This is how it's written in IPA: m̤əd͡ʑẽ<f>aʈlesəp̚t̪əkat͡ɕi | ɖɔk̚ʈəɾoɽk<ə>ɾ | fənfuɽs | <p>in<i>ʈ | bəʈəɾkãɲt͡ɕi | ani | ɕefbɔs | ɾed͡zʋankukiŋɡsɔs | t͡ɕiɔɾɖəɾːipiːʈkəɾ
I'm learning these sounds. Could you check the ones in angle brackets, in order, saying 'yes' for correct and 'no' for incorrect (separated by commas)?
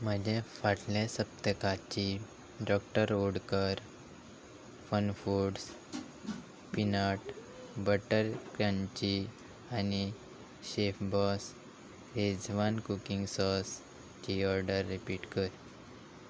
yes, yes, yes, no